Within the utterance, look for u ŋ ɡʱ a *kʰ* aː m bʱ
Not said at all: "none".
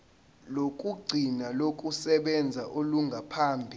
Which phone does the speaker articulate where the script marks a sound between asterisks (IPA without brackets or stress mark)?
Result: pʰ